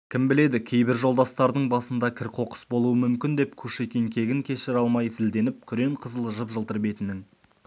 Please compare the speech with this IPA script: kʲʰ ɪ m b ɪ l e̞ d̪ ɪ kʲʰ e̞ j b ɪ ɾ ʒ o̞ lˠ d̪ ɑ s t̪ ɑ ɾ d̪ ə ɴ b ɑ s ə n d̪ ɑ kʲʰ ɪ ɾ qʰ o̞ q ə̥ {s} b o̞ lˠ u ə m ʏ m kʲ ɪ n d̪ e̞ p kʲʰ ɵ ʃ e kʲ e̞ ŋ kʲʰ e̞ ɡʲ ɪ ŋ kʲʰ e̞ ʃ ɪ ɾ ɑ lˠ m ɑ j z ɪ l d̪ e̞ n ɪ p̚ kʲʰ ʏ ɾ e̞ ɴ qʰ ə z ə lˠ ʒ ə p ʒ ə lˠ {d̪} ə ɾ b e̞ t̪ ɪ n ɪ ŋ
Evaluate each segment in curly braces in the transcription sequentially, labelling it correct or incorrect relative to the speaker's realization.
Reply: correct, incorrect: t̪

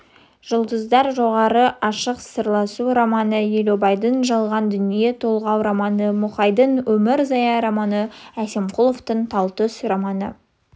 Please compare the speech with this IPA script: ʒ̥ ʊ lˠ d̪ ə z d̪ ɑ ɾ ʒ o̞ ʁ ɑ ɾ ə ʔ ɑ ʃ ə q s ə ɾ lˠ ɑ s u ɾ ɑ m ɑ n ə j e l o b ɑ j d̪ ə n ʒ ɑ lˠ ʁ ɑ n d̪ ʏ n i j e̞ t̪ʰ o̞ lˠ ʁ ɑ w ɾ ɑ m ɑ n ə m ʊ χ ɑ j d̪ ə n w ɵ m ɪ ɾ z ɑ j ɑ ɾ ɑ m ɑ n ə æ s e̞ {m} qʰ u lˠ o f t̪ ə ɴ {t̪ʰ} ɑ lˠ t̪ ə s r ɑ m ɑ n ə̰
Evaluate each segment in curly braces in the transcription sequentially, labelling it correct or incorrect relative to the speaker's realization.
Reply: correct, correct

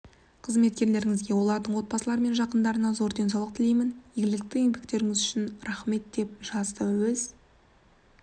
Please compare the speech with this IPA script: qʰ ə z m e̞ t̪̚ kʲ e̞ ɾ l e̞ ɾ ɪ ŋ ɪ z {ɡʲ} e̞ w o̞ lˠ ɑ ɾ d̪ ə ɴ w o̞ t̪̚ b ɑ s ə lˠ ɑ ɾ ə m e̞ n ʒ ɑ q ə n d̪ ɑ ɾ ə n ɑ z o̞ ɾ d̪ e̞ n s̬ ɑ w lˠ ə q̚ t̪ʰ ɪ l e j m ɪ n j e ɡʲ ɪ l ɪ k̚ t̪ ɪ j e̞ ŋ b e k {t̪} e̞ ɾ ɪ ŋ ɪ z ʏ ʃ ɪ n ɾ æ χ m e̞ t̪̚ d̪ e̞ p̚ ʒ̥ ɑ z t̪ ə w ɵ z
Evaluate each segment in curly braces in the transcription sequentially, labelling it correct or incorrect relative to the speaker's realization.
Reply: correct, correct

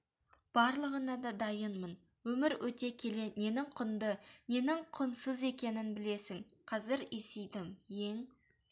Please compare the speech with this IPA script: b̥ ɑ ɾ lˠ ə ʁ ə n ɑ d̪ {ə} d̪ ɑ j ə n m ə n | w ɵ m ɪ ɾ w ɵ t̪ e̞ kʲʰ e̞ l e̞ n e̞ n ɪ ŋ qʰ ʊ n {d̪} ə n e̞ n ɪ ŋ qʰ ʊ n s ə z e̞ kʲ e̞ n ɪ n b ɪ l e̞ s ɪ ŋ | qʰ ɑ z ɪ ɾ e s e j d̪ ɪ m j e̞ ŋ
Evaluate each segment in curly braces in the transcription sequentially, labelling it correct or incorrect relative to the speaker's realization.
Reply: incorrect: ɑ, correct

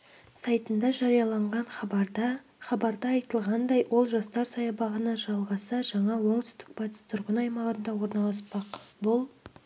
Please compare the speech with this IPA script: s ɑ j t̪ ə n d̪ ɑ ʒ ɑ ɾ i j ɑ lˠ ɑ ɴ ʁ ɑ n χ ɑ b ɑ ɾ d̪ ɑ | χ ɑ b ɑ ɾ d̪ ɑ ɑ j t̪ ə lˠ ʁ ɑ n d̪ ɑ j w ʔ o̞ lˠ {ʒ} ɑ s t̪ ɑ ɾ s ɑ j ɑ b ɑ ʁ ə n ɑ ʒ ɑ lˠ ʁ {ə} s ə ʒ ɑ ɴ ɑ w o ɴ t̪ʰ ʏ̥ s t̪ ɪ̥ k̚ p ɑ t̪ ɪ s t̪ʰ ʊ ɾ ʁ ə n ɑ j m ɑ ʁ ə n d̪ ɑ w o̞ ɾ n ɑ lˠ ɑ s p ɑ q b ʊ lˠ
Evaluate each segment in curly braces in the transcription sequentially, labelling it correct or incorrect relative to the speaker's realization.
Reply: correct, incorrect: ɑ

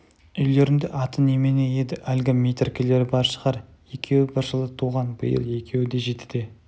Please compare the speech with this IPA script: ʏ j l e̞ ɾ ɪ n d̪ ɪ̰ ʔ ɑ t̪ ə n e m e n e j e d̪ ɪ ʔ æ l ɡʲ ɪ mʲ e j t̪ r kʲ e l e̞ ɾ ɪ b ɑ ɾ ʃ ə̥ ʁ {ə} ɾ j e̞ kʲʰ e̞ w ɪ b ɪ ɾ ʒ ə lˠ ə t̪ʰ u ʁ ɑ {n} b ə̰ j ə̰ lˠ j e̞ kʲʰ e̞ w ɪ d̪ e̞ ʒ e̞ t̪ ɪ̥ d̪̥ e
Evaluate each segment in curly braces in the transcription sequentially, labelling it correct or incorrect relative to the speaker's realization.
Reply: incorrect: ɑ, correct

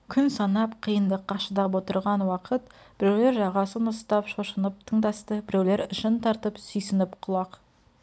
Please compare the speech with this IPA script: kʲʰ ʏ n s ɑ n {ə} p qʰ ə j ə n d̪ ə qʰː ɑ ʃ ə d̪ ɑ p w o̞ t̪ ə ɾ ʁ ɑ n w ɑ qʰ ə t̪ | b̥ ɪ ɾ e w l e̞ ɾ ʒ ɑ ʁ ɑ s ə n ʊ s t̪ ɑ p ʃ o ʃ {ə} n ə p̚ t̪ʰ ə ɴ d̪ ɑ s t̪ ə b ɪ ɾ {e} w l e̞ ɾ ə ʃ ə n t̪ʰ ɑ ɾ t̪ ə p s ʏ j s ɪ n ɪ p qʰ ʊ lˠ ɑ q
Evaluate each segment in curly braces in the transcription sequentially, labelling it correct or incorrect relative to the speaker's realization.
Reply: incorrect: ɑ, correct, correct

